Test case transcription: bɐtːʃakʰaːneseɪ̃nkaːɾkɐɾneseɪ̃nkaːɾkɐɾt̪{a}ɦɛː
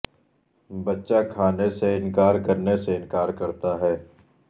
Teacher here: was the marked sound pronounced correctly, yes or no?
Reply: yes